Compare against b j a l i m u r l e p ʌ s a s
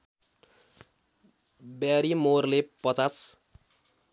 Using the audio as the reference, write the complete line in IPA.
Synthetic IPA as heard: b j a ɾ i m o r l e p ʌ t͡s a s